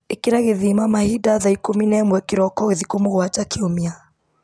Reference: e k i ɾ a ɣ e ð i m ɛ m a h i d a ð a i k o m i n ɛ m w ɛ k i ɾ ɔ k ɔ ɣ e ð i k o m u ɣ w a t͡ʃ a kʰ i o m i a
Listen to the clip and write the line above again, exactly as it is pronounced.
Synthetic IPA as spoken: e k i ɾ a ɣ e ð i m a m a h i d a ð a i k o m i n ɛ m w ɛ k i ɾ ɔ k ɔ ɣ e ð i k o m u ɣ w a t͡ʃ a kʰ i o m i a